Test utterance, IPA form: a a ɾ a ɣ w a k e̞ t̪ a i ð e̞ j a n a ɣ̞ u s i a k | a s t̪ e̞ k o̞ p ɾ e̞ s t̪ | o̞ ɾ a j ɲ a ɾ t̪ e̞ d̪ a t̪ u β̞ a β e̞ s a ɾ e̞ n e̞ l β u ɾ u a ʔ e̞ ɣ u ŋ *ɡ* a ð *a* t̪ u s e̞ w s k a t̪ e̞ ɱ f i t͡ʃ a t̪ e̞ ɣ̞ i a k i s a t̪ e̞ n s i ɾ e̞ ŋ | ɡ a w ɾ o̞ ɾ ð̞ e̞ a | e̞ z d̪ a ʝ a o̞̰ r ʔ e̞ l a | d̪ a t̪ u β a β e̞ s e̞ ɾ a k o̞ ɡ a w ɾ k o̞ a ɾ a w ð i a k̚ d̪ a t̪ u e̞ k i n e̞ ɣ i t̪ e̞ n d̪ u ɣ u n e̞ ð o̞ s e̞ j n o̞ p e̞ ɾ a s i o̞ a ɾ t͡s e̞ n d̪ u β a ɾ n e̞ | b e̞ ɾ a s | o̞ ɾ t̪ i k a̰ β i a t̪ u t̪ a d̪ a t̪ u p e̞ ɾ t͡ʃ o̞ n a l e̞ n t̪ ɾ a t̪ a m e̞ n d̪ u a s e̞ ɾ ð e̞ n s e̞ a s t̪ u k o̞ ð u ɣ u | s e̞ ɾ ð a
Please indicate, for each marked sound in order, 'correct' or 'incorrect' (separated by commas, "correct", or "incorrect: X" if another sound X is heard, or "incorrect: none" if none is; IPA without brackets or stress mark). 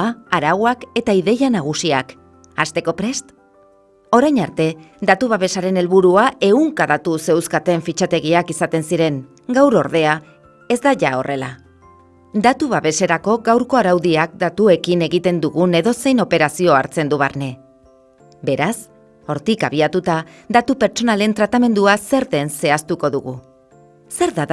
incorrect: k, correct